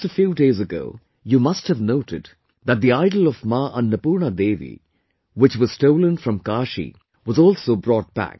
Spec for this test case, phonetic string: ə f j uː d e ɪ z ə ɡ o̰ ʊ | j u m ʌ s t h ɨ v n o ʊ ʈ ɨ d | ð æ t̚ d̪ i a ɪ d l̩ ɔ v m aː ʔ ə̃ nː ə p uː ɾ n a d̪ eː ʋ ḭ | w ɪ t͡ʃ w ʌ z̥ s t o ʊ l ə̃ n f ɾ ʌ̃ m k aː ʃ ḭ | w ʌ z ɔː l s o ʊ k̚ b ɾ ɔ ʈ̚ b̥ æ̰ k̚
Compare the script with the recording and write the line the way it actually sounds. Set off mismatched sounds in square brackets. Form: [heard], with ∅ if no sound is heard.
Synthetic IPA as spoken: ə f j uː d e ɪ z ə ɡ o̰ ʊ | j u m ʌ s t h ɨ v n o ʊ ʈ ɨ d | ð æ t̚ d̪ i a ɪ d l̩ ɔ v m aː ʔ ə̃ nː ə p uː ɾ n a d̪ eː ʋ ḭ | w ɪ t͡ʃ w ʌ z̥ s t o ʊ l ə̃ n f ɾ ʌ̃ m k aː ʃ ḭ | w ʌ z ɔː l s o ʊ [∅] b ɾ ɔ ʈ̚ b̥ æ̰ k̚